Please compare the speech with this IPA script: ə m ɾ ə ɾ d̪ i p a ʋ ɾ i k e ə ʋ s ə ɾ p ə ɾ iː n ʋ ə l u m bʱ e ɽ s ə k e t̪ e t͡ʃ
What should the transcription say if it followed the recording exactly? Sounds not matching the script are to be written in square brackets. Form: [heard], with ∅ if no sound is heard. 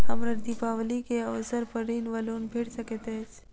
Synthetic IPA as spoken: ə m ɾ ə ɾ d̪ i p a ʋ [l] i k e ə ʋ s ə ɾ p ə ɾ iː n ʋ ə l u [n] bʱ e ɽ s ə k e t̪ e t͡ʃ